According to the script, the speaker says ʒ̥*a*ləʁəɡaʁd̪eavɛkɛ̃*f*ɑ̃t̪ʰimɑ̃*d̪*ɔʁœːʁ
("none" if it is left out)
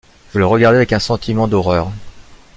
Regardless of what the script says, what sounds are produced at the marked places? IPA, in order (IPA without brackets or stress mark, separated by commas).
ə, s, d̪